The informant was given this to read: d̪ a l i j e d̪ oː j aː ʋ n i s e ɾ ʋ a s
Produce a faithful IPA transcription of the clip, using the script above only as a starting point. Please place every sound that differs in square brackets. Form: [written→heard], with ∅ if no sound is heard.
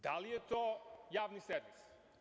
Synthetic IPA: d̪ a l i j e [d̪→t̪] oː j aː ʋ n i s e ɾ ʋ [a→i] s